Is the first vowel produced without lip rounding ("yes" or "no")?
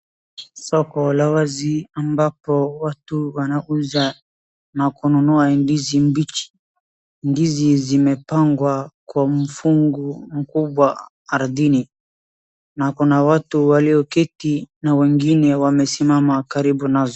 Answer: no